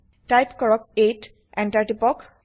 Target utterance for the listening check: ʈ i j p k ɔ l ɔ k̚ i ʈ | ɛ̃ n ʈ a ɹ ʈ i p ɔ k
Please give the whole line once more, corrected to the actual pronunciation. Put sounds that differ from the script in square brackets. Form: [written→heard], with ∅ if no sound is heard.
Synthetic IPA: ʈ [i→a] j p k ɔ [l→ɹ] ɔ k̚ [i→e] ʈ | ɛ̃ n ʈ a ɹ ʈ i p ɔ k